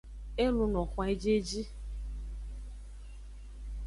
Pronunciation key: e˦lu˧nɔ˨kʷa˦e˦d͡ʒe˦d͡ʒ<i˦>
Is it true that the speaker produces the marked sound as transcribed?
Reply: yes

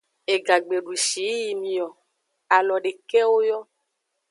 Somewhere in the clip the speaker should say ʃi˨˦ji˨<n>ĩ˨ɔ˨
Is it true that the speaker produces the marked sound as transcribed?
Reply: no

